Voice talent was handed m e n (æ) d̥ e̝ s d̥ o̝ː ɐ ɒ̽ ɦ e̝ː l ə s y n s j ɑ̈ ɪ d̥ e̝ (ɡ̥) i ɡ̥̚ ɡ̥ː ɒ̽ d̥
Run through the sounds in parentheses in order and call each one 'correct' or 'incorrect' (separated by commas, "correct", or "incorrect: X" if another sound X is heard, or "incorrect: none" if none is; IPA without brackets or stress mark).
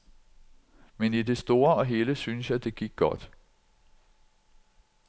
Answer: incorrect: i, correct